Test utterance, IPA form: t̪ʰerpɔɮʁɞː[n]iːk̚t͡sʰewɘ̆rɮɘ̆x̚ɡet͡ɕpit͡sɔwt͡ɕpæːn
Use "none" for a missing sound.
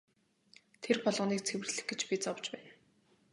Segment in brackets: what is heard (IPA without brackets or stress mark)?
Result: n